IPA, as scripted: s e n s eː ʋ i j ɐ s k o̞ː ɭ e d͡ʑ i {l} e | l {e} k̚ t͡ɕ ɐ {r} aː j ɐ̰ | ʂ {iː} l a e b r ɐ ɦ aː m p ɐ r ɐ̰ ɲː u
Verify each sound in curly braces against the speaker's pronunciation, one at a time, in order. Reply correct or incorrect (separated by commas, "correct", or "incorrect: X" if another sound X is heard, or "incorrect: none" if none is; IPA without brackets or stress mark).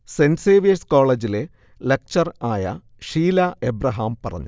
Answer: correct, correct, correct, correct